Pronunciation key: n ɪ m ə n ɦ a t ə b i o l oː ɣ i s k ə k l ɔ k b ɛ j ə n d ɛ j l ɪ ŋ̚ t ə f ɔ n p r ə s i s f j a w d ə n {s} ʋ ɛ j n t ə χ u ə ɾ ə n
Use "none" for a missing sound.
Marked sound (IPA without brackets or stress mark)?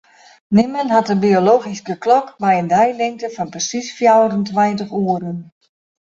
t